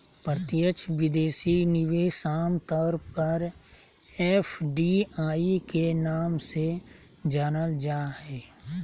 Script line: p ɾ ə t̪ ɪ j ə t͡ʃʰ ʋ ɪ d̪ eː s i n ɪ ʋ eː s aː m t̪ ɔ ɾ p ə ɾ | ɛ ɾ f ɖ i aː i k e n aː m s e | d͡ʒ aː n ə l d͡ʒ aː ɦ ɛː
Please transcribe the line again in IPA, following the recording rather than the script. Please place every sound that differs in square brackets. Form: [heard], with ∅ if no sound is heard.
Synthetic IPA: p ɾ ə t̪ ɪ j ə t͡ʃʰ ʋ ɪ d̪ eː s i n ɪ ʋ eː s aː m t̪ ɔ ɾ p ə ɾ | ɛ [∅] f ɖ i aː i k e n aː m s e | d͡ʒ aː n ə l d͡ʒ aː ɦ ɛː